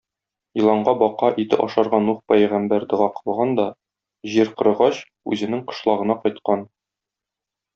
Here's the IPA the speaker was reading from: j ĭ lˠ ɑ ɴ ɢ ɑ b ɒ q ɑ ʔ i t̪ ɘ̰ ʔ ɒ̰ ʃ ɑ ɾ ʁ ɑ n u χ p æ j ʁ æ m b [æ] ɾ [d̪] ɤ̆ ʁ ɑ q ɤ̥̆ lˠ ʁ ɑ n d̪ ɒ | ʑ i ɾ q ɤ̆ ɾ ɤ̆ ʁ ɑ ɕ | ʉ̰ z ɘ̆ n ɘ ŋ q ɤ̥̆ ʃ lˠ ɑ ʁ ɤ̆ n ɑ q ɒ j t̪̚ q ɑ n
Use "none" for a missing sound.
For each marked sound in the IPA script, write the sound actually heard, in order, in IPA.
æ, d̪

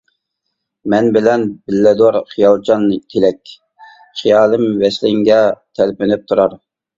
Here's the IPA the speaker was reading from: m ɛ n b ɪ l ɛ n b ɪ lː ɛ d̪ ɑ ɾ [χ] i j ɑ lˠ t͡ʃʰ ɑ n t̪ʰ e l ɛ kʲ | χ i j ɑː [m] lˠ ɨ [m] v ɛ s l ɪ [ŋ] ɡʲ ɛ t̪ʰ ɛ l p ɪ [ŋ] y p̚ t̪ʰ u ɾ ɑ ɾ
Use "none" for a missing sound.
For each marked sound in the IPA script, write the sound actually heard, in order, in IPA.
χ, none, m, ŋ, n

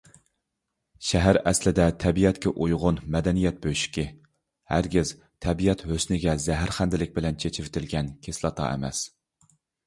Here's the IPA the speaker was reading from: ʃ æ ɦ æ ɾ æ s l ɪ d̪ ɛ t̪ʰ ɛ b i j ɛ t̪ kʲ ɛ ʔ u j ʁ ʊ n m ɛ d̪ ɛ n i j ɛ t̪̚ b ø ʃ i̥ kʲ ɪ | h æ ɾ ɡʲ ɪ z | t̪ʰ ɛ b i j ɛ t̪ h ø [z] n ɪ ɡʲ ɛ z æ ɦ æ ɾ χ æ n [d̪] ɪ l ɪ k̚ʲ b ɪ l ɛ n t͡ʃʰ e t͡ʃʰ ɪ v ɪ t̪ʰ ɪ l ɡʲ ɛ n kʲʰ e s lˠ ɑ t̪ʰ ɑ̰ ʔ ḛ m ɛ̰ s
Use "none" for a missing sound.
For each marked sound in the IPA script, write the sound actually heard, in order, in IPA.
s, d̪

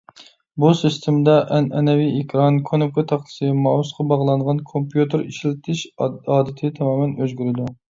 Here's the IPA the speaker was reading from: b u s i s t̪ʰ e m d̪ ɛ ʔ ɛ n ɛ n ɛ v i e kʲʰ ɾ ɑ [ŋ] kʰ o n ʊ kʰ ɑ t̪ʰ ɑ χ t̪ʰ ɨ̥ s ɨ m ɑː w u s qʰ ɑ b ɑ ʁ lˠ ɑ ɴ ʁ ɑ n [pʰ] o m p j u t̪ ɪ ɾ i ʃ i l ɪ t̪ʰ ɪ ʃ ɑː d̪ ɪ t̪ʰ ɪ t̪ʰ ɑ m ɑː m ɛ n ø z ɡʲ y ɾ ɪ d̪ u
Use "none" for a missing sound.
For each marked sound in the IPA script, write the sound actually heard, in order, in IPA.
n, kʰ

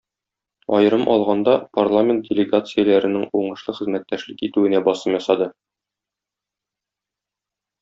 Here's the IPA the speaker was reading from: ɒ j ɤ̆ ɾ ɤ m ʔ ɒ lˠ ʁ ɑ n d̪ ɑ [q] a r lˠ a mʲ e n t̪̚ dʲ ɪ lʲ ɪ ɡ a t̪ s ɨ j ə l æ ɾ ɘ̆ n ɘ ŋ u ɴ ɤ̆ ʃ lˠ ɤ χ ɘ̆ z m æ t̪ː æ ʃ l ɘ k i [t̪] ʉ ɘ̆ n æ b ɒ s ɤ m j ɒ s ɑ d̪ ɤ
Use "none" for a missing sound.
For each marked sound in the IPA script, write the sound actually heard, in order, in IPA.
p, t̪

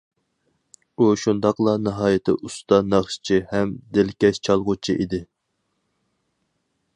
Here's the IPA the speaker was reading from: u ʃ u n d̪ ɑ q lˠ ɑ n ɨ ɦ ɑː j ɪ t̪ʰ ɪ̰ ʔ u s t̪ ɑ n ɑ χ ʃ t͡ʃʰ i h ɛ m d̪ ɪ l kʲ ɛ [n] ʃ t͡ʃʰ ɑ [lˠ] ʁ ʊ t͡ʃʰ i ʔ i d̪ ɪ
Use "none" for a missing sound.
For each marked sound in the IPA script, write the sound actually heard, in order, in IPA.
none, lˠ

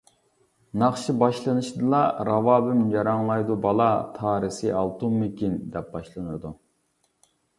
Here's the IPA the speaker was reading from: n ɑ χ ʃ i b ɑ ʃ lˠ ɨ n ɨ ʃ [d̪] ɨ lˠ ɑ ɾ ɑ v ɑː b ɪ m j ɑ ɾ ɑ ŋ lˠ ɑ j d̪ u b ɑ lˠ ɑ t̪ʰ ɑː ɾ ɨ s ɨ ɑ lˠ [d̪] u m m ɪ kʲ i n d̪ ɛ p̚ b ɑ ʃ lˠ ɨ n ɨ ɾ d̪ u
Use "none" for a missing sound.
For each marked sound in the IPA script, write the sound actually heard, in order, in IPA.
d̪, t̪

